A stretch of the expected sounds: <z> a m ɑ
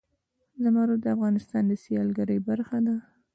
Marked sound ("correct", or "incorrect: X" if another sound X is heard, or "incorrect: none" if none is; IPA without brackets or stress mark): correct